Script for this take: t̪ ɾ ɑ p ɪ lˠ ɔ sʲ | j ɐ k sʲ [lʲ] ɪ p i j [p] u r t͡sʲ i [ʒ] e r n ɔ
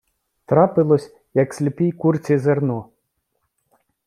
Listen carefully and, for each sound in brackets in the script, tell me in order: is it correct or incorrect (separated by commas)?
correct, incorrect, incorrect